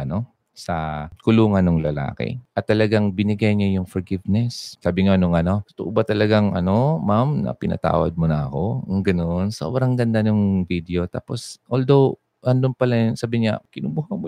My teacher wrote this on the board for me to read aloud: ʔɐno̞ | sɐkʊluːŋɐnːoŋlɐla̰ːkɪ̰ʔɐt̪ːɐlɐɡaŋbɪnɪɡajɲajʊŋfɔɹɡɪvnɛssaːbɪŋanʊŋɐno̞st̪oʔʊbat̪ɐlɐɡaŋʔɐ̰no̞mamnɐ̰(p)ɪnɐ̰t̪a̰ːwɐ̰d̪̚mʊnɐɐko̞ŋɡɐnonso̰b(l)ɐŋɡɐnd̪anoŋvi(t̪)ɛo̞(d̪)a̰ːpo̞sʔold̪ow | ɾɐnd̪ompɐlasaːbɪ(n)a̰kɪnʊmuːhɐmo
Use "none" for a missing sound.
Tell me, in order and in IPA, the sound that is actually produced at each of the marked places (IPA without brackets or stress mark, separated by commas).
p, ɾ, d̪, t̪, ɲ